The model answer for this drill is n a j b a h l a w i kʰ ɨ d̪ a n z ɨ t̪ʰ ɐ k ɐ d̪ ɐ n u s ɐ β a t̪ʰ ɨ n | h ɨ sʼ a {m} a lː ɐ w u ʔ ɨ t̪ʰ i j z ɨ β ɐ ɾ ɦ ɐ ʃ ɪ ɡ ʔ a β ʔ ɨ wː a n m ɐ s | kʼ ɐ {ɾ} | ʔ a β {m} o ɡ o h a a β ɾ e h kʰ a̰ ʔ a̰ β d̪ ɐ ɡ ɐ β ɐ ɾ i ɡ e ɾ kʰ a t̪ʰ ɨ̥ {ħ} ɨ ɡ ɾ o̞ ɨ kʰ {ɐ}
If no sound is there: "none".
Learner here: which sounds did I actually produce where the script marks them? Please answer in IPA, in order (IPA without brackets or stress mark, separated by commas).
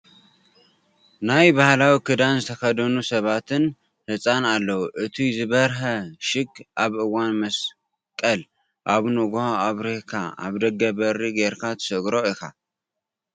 n, l, n, s, a